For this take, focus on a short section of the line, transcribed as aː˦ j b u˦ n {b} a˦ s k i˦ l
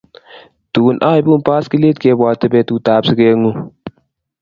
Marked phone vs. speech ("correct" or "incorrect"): incorrect